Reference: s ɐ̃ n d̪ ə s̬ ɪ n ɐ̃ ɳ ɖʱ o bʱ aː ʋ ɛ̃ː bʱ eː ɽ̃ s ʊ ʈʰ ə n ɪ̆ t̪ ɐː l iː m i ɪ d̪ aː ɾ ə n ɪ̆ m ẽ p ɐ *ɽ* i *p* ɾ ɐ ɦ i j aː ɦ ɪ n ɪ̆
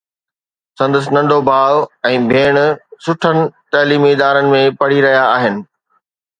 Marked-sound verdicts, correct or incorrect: correct, incorrect: none

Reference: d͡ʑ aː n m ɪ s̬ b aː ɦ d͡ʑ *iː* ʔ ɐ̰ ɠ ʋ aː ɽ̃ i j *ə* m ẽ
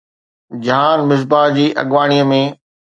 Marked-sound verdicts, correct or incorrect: correct, correct

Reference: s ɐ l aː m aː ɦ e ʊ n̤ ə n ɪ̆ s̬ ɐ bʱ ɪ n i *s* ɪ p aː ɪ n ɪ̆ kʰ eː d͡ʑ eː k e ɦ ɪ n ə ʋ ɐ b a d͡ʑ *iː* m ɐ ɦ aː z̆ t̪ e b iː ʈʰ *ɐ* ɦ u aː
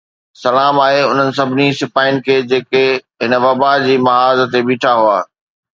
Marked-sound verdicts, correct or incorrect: correct, correct, incorrect: a

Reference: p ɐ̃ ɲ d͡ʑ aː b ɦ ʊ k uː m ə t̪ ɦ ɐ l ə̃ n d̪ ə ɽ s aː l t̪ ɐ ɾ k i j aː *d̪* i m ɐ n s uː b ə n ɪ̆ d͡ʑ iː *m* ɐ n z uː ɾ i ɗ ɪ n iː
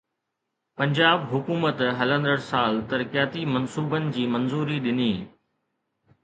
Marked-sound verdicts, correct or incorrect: incorrect: t̪, correct

